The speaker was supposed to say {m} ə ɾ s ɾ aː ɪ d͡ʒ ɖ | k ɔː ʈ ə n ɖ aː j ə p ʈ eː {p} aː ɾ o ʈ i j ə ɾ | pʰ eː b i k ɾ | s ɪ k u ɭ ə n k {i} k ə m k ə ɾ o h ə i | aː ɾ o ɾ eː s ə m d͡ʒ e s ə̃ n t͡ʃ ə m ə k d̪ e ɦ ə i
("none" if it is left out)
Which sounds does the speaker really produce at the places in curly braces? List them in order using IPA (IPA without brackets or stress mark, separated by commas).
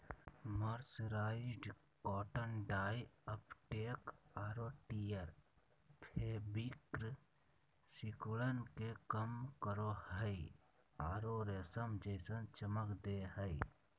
m, k, e